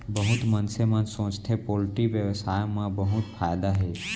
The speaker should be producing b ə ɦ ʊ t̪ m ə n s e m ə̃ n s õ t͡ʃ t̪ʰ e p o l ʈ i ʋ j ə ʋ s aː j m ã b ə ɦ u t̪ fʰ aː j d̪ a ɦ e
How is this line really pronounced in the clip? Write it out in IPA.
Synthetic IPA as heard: b ə ɦ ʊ t̪ m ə n s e m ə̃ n s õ t͡ʃ t̪ʰ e p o l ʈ i ʋ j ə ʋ s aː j m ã b ə ɦ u t̪ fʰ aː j d̪ a ɦ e